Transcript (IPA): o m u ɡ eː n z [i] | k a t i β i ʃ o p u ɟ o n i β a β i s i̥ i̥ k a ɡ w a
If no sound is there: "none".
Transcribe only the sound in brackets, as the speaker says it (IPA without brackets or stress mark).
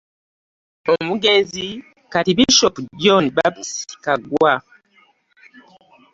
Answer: i